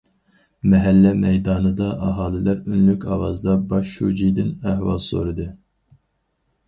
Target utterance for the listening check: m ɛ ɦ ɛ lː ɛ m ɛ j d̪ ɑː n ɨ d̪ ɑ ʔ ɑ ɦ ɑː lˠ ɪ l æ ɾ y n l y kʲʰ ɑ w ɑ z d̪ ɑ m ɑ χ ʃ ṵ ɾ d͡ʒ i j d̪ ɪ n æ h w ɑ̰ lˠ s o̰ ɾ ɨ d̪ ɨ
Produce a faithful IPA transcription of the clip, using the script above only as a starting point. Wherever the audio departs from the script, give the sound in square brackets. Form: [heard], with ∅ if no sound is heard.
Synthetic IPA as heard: m ɛ ɦ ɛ lː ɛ m ɛ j d̪ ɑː n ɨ d̪ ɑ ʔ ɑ ɦ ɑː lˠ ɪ l æ ɾ y n l y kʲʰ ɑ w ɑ z d̪ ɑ [b] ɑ [ʃ] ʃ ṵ [∅] d͡ʒ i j d̪ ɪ n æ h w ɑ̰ lˠ s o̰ ɾ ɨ d̪ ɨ